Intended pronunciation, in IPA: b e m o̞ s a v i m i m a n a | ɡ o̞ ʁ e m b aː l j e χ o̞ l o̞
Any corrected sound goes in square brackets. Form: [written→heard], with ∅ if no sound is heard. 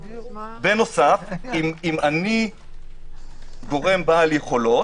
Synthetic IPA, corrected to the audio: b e [m→n] o̞ s a [v→f] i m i m a n [a→i] | ɡ o̞ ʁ e m b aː l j e χ o̞ l o̞